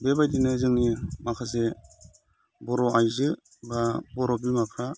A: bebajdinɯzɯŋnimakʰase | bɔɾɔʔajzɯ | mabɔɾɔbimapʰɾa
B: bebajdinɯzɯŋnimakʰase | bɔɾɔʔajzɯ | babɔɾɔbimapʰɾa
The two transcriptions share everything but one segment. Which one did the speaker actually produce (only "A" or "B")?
B